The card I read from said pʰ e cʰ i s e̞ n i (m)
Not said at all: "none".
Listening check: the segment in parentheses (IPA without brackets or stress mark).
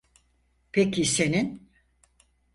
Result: n